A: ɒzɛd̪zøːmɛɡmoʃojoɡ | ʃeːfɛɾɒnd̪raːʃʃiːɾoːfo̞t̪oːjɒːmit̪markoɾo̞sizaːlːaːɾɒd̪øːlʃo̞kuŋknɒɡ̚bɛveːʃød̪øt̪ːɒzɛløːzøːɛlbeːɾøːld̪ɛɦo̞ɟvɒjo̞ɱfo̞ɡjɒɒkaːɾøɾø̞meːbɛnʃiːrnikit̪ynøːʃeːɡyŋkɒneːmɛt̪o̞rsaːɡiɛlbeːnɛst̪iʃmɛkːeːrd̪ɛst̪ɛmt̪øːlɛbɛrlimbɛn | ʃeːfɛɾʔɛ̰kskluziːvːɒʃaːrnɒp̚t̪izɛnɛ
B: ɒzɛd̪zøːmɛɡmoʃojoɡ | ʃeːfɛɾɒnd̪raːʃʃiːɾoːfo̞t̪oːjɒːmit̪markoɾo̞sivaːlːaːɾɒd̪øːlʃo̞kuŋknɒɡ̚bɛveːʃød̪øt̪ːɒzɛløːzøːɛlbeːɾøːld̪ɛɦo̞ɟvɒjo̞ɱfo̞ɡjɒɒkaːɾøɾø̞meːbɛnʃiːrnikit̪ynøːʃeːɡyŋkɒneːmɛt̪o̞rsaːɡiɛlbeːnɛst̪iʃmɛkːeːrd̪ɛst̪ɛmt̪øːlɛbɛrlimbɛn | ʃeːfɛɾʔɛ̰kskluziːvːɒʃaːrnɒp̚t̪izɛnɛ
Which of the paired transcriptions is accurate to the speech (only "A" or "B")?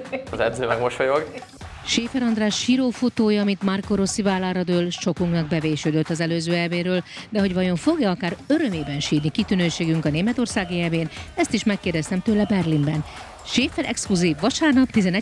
B